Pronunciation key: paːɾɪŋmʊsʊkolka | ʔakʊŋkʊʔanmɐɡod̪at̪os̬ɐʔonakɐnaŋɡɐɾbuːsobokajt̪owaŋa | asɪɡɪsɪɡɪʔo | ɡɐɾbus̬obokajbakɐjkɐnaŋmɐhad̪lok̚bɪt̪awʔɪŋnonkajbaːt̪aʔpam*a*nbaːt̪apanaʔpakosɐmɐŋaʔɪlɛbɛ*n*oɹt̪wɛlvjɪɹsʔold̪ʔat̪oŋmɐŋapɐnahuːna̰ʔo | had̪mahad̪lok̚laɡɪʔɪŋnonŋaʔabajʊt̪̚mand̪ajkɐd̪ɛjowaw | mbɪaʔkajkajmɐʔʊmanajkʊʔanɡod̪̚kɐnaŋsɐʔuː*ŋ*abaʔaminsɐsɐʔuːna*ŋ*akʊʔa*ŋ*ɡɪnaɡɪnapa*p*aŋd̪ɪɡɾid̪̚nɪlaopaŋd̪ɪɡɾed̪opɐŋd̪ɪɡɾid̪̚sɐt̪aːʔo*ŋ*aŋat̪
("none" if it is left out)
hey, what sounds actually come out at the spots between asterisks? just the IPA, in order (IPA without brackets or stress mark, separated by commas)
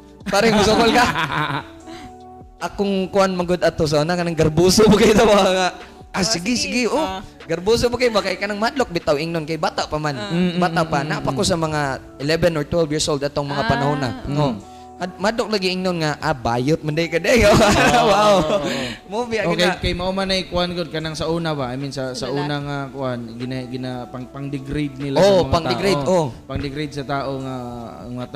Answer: a, n, n, ŋ, n, p, ŋ